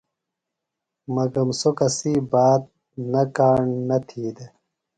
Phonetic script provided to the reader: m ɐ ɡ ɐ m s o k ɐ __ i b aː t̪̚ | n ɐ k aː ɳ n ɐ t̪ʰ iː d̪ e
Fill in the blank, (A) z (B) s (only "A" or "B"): B